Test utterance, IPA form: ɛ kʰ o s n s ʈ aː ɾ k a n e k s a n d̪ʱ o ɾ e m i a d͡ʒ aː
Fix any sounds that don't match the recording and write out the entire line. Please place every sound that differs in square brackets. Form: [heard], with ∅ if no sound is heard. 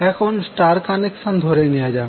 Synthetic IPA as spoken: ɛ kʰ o [∅] n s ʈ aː ɾ k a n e k s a n d̪ʱ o ɾ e [n] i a d͡ʒ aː

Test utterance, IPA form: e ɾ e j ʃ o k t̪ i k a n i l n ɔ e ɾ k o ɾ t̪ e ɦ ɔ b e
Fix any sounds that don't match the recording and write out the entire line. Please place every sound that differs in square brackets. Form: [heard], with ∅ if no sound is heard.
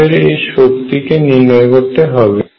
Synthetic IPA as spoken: e ɾ e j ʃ o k t̪ i k [e] n i [ɾ] n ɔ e [∅] k o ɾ t̪ e ɦ ɔ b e

